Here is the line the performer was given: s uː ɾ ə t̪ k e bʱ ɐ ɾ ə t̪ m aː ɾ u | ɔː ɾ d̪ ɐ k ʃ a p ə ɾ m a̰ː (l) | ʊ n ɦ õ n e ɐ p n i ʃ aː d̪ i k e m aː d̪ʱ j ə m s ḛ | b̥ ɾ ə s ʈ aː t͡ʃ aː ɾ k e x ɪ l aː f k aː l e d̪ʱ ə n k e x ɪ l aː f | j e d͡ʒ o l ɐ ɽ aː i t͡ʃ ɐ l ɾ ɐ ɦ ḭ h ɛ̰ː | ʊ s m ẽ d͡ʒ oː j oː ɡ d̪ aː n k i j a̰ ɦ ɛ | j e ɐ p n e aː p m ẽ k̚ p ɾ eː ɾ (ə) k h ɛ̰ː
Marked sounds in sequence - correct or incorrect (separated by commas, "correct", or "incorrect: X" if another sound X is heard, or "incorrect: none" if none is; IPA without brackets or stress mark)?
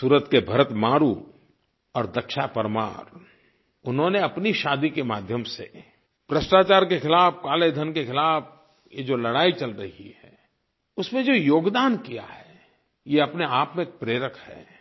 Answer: incorrect: ɾ, correct